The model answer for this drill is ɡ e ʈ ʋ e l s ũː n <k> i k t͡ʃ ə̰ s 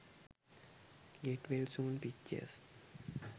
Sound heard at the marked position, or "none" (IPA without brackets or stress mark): p